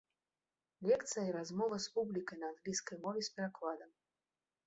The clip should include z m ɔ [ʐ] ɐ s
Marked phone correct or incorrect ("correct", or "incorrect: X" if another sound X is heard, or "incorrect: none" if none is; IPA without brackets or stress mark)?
incorrect: v